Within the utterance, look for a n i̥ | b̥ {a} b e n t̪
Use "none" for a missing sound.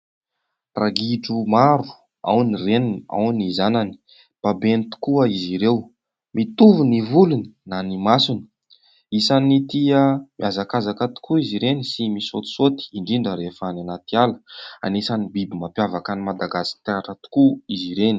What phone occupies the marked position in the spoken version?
a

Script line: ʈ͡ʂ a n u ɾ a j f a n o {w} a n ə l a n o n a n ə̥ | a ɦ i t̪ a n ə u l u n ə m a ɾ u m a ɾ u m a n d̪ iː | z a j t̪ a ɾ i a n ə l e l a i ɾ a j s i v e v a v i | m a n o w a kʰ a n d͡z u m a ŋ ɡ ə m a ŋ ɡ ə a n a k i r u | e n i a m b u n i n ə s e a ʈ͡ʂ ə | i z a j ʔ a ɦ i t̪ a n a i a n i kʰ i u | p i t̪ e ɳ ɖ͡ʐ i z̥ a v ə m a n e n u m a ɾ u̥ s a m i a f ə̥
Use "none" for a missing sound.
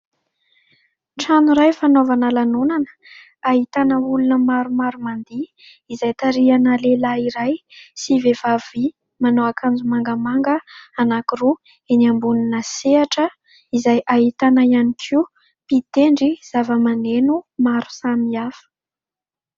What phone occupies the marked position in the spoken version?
v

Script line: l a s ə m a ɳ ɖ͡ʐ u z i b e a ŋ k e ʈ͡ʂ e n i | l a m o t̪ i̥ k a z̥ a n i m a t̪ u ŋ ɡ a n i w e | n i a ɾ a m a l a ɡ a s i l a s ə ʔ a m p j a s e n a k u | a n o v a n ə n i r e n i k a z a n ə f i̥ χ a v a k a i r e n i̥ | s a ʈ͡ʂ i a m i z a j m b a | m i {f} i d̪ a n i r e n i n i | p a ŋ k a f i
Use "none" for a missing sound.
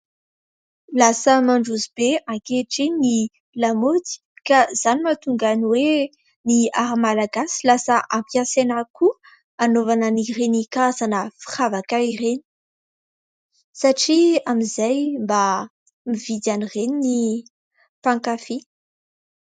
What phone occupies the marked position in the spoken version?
v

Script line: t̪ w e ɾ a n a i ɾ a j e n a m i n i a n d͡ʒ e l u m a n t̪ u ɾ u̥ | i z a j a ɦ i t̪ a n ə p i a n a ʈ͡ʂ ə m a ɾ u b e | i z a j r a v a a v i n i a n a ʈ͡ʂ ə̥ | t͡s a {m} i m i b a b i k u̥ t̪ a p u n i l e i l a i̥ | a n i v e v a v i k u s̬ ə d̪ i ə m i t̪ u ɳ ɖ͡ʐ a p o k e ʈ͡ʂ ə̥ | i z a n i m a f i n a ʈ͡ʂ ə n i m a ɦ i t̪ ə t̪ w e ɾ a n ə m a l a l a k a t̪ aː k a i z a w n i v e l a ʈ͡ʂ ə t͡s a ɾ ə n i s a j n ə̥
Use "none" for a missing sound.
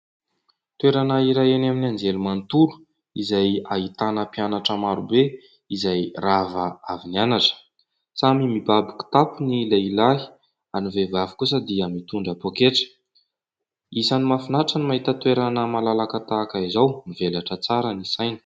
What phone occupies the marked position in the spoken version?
m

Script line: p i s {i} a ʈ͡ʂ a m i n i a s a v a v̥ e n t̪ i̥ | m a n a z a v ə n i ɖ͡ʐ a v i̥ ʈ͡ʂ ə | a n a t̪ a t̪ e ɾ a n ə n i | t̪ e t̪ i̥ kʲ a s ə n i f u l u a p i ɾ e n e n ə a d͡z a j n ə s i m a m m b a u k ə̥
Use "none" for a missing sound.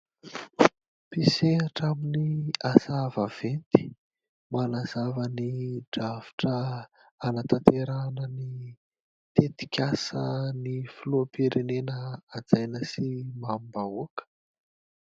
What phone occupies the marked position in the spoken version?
e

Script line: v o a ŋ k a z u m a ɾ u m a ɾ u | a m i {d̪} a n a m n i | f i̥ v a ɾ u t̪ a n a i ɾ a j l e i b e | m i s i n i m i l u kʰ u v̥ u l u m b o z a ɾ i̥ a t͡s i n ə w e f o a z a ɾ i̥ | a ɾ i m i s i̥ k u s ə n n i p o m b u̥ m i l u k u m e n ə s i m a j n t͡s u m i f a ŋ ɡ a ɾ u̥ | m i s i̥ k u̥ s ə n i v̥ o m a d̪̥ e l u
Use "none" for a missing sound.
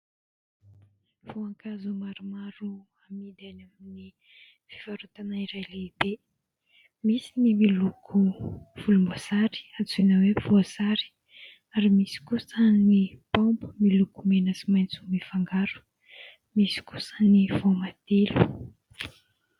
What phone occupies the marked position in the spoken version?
d̪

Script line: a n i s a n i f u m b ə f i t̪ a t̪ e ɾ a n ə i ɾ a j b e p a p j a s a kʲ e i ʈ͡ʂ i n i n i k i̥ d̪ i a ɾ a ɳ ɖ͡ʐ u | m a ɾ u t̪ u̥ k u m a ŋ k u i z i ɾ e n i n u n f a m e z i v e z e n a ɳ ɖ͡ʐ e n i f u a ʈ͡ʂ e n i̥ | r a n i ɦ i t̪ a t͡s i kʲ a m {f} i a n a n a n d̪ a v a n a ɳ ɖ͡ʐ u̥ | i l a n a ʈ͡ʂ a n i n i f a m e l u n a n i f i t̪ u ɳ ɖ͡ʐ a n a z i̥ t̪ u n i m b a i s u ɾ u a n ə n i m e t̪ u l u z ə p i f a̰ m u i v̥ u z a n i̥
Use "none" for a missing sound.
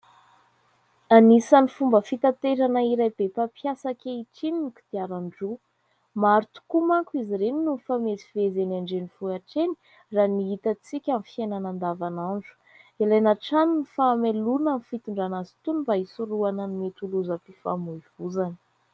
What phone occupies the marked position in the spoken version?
f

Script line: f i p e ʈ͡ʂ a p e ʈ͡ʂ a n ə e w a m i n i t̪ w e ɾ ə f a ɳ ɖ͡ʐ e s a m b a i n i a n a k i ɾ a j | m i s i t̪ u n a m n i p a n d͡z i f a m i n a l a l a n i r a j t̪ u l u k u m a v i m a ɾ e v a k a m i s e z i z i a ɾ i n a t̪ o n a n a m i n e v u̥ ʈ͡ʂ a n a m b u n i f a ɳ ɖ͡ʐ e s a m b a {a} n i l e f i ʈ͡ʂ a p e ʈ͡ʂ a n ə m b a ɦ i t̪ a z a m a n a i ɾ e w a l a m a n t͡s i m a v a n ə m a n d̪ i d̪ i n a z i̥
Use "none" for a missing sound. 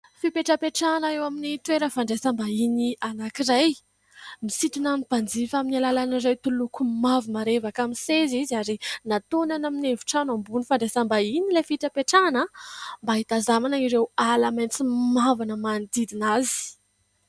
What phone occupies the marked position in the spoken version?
i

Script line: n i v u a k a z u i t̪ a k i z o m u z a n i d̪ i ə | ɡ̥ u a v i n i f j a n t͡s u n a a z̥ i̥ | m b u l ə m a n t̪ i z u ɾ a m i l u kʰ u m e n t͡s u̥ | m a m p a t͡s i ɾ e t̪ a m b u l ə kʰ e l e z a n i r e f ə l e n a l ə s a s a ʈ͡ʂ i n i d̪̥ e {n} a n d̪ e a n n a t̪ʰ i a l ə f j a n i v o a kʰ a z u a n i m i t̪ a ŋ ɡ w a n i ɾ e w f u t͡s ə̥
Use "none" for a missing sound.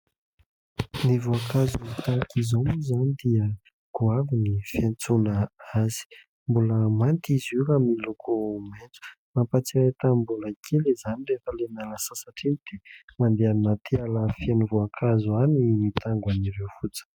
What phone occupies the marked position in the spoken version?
m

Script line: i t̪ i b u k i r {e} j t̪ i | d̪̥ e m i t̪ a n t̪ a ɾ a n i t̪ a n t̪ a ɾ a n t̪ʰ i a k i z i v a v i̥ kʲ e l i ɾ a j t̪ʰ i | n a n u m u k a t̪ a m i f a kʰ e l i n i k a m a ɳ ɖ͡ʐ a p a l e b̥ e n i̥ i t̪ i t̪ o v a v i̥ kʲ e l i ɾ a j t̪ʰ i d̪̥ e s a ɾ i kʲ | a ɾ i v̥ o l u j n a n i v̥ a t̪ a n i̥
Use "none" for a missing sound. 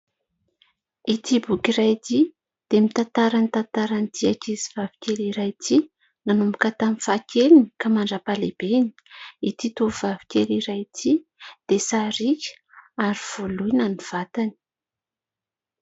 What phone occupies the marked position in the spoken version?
a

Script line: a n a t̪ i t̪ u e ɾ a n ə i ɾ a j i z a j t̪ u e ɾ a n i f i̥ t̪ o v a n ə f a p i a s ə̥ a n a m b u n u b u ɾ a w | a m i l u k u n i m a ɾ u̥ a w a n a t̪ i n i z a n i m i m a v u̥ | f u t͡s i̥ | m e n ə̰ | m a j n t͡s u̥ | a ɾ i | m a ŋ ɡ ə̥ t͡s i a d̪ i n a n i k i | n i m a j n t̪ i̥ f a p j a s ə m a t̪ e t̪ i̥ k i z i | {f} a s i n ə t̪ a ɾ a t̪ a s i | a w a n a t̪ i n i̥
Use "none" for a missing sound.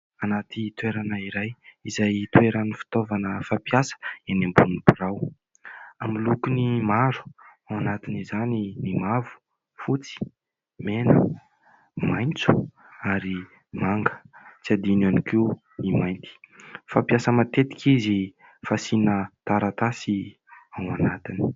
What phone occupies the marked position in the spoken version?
f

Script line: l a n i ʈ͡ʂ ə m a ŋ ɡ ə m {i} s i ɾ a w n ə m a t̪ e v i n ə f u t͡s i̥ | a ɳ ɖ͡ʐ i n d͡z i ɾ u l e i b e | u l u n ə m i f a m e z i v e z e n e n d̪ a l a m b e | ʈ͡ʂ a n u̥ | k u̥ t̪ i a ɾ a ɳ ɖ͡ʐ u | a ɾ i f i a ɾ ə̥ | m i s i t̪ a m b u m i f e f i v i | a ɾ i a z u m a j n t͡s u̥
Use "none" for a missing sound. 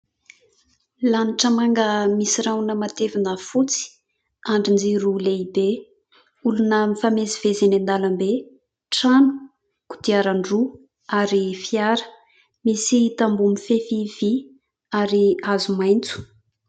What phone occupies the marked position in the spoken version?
i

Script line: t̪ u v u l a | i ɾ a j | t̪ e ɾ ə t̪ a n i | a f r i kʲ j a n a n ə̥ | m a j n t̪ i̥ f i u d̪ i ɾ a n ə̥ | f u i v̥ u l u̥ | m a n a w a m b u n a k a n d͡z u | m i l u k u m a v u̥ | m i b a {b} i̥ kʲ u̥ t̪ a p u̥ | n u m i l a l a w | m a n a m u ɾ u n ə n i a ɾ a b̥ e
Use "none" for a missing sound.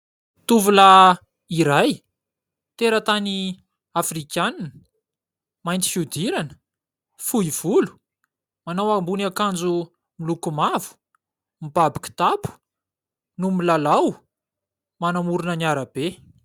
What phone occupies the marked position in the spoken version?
b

